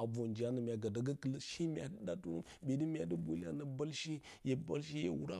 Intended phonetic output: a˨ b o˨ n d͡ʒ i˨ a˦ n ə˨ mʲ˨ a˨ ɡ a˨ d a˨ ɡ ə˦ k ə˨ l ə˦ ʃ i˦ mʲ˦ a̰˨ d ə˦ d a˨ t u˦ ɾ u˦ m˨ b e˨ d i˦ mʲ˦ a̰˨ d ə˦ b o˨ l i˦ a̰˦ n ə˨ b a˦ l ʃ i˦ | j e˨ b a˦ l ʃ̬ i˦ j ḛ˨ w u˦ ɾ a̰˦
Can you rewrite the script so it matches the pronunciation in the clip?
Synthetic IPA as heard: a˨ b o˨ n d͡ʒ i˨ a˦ n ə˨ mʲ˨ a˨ ɡ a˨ d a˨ ɡ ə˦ k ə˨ l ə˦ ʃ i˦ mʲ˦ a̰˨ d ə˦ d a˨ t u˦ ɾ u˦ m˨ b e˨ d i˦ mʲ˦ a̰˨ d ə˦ b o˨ l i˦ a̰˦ n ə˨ b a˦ l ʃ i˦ | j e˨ b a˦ l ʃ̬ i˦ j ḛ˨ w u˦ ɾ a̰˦